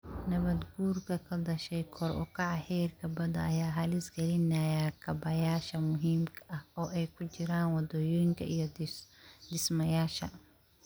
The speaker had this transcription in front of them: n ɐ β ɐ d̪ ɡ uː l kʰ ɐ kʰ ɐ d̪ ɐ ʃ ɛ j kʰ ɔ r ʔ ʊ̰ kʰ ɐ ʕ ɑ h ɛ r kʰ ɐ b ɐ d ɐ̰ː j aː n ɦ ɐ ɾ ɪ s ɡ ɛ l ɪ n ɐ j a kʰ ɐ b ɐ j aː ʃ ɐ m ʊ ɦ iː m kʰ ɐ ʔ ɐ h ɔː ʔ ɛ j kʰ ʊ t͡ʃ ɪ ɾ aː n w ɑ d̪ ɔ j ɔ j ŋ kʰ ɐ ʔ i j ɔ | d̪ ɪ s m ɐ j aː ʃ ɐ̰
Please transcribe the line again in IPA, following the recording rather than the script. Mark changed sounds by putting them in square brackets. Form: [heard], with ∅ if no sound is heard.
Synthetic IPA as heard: n ɐ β ɐ d̪ ɡ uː [r] kʰ ɐ kʰ ɐ d̪ ɐ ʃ ɛ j kʰ ɔ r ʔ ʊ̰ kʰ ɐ ʕ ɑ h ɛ r kʰ ɐ b ɐ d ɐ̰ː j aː [∅] ɦ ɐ [l] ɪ s ɡ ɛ l ɪ n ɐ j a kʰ ɐ b ɐ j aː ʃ ɐ m ʊ ɦ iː m kʰ ɐ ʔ ɐ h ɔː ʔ ɛ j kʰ ʊ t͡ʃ ɪ ɾ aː n w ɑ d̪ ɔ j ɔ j ŋ kʰ ɐ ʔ i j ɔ | d̪ ɪ s m ɐ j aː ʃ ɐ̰